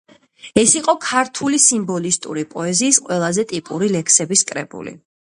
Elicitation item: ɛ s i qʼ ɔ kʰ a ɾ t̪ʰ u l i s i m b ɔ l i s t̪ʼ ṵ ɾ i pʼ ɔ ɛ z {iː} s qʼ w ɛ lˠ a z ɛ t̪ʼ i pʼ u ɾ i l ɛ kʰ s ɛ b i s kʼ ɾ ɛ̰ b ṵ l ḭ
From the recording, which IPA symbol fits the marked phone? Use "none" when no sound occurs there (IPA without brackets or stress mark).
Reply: iː